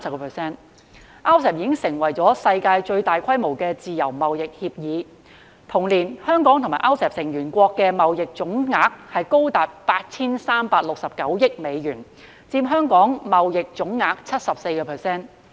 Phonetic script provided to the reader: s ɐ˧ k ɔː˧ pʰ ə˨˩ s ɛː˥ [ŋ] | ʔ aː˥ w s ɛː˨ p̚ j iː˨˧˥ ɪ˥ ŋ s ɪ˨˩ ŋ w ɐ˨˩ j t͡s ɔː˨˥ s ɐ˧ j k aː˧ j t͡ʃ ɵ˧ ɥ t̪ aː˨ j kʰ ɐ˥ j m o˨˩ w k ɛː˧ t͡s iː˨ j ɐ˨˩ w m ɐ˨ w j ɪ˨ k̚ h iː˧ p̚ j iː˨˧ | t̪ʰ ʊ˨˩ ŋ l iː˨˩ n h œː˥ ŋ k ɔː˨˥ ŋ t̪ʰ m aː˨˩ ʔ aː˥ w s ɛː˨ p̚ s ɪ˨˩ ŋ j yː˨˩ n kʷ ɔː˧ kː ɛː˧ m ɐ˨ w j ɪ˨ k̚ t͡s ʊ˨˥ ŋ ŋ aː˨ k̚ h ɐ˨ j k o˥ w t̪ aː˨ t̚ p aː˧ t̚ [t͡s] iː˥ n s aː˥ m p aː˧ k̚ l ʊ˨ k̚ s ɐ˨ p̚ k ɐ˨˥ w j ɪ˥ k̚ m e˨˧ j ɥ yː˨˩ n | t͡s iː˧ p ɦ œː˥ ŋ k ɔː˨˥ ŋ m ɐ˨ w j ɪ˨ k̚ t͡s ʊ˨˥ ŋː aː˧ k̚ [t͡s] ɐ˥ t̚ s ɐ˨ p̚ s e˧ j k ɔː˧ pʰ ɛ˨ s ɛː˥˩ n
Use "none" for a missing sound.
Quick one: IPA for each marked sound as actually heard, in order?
n, t͡sʰ, t͡sʰ

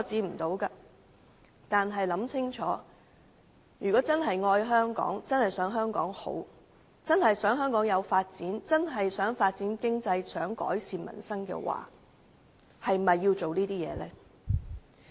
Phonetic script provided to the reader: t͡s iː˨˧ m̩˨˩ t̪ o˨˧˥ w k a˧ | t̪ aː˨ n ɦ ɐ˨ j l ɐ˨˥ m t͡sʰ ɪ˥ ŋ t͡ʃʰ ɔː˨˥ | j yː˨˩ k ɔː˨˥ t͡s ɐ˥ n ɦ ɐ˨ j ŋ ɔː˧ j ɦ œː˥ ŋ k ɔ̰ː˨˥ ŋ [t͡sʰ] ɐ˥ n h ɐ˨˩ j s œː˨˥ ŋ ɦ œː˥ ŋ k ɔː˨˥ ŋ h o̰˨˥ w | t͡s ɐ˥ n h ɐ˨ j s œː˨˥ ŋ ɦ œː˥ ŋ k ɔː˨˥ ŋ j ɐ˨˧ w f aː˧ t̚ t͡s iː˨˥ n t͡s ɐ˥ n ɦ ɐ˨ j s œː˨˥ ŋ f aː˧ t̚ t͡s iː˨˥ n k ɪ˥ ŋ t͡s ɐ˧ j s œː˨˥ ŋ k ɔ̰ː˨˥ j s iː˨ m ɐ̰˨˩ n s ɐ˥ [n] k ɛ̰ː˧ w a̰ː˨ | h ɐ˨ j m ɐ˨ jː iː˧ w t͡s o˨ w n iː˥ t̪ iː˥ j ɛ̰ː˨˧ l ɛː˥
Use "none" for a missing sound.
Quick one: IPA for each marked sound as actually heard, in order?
t͡s, ŋ

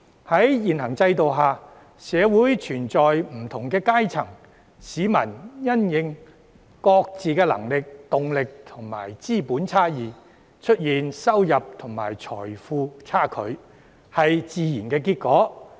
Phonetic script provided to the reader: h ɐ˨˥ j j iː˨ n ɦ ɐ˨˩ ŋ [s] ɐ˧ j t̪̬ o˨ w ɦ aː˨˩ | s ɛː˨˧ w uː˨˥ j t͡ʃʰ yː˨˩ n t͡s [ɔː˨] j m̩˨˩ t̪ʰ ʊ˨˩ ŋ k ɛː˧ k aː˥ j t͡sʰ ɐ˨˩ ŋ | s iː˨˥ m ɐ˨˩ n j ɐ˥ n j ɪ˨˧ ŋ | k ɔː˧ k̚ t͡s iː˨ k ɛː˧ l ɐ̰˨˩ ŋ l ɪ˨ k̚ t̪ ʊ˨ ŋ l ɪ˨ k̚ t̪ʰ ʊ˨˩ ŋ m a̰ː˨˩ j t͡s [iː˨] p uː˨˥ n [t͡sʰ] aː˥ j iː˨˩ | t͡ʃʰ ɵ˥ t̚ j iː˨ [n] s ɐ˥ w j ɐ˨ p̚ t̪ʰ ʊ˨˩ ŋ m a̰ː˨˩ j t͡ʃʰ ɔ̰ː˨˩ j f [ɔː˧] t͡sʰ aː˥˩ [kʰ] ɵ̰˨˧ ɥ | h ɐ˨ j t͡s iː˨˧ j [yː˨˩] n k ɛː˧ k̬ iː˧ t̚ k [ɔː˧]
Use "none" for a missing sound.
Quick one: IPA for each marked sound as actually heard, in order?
t͡s, ɔː˨, iː˥, t͡sʰ, n, uː˧, kʰ, iː˨˩, ɔː˨˥

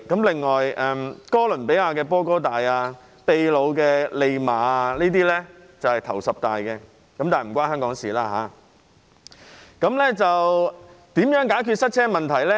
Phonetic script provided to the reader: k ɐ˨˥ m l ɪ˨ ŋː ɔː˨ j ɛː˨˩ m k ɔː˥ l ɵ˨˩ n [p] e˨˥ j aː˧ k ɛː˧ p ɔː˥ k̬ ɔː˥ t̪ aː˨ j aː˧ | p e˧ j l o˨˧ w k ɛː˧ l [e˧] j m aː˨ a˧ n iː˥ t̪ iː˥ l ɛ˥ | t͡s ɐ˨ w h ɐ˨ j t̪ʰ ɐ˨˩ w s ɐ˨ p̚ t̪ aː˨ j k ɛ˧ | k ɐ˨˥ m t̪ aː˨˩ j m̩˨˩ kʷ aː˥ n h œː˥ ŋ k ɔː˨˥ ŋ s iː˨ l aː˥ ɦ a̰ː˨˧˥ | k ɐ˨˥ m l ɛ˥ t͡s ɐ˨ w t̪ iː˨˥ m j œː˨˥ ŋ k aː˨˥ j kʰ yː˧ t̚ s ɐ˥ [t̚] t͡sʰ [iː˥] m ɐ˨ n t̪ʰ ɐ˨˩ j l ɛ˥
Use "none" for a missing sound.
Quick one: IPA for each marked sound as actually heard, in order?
p, e˧, t̚, ɛː˥

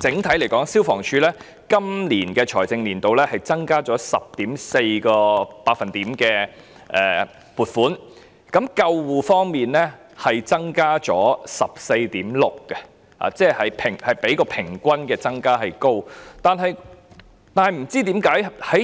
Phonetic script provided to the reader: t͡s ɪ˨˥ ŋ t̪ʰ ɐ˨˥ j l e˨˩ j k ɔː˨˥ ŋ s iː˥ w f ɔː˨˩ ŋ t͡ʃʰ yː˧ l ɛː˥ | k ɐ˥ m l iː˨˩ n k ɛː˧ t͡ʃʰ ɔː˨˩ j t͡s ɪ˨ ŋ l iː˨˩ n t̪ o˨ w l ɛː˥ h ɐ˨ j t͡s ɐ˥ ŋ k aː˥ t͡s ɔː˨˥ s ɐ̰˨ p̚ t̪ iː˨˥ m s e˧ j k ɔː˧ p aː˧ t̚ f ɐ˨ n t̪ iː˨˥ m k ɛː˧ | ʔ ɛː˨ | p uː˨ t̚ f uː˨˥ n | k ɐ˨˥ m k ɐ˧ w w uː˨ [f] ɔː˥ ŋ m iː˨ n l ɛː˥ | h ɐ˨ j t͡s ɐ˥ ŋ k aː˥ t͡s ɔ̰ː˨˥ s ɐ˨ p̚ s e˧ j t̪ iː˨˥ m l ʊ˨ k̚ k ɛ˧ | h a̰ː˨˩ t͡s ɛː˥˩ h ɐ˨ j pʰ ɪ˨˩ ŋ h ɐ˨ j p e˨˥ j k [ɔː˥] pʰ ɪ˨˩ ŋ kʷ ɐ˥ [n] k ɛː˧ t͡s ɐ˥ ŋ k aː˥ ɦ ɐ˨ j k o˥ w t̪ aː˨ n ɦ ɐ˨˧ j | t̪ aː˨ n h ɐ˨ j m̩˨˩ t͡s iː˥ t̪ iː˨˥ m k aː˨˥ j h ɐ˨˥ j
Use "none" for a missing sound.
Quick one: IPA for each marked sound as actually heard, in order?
f, ɔː˧, n

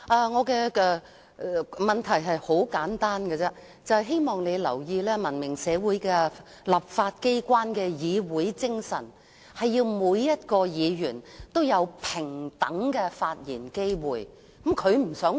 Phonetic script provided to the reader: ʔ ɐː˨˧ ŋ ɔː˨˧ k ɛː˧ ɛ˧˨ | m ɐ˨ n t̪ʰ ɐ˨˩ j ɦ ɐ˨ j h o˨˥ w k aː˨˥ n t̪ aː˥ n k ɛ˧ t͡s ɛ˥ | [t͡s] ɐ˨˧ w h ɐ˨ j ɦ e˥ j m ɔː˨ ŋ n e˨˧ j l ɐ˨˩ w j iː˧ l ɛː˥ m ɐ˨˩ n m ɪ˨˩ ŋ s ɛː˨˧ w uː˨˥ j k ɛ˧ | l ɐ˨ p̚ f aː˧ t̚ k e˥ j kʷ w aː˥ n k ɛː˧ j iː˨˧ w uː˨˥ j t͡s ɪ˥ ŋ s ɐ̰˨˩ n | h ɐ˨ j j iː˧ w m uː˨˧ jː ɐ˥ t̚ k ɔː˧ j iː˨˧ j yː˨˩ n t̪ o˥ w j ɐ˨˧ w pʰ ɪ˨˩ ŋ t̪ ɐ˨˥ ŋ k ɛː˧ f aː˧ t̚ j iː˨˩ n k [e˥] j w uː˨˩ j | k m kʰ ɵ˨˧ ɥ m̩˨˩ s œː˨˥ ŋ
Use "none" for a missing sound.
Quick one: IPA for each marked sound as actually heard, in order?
t͡s, e˥

